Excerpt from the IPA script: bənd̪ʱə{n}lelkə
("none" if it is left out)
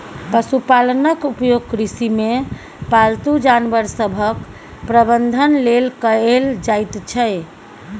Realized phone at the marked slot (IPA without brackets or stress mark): n